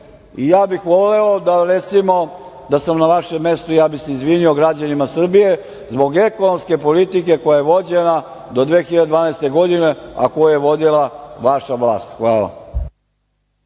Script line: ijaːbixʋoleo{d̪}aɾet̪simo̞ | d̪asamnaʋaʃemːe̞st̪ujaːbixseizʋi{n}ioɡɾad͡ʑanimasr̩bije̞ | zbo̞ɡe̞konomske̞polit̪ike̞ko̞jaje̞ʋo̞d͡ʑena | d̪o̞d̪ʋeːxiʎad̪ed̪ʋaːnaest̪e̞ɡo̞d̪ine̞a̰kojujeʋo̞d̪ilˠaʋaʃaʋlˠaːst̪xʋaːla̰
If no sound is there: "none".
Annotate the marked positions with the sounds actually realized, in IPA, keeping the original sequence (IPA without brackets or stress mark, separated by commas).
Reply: d̪, n